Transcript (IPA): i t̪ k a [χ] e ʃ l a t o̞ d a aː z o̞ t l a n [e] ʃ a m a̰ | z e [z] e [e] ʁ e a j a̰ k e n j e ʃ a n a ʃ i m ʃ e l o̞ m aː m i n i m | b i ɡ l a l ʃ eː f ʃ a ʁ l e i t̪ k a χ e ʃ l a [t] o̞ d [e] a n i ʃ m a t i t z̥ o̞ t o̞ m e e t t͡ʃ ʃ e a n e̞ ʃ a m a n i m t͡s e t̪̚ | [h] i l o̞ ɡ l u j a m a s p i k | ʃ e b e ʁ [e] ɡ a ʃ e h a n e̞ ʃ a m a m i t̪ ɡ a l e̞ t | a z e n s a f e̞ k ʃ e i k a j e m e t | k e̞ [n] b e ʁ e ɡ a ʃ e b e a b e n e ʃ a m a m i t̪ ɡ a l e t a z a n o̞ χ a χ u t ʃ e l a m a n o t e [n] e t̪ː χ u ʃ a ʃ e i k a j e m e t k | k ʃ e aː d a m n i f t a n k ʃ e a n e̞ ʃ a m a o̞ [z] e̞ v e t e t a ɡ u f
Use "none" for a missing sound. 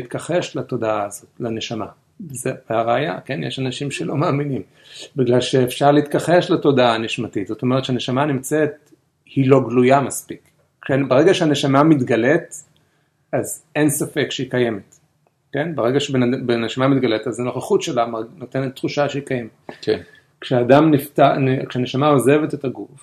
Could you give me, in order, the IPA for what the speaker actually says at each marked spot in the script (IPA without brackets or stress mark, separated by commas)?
χ, e, v, a, t, a, h, e, n, n, z